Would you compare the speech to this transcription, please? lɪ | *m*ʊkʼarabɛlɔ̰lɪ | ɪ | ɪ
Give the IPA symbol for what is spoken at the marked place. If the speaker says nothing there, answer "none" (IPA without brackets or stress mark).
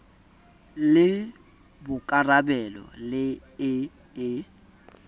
b